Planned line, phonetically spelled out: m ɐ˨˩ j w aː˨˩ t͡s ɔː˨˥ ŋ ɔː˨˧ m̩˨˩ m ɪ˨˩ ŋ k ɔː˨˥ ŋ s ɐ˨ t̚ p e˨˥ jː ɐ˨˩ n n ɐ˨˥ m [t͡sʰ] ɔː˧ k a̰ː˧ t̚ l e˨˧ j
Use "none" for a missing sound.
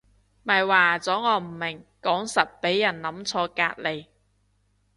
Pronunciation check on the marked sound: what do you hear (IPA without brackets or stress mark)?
t͡sʰ